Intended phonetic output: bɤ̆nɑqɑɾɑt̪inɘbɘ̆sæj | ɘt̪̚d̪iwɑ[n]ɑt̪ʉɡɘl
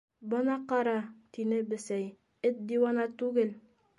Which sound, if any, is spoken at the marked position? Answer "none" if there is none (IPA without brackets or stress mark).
n